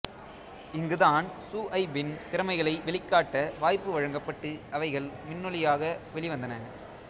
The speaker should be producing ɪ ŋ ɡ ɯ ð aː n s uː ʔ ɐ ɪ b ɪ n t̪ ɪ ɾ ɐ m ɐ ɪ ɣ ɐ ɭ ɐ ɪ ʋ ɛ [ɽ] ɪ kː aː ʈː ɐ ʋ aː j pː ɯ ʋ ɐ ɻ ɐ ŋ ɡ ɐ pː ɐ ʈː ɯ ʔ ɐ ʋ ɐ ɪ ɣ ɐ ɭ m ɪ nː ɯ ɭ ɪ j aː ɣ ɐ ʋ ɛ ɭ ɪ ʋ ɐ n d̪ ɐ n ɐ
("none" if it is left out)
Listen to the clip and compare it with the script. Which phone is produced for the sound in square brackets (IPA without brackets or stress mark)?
ɭ